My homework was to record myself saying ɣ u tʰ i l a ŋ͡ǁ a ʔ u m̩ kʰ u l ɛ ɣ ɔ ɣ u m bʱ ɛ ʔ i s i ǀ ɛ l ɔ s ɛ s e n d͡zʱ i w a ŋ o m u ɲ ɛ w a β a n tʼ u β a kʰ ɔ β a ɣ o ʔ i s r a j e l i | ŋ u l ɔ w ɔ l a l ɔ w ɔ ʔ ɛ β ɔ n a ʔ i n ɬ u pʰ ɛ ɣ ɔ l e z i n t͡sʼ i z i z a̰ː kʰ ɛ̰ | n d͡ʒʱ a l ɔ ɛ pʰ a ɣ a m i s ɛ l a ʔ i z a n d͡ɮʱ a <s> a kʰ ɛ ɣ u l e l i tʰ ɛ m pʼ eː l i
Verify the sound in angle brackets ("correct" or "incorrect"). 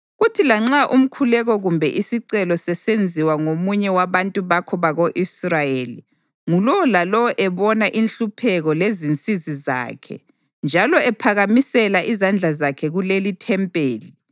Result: incorrect